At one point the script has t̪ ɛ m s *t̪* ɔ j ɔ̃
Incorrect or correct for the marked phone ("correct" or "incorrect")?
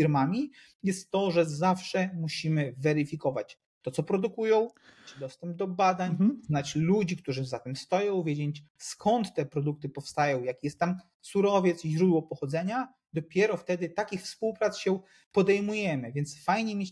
correct